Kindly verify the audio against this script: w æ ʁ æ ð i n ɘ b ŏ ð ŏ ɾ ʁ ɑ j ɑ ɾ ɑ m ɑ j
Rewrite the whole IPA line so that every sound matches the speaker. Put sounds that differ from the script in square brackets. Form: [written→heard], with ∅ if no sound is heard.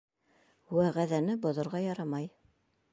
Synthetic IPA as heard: w æ ʁ æ ð [i→æ] n ɘ b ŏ ð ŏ ɾ ʁ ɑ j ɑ ɾ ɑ m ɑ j